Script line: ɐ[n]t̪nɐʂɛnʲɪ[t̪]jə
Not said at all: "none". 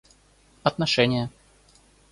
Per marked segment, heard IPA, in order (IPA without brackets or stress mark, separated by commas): none, none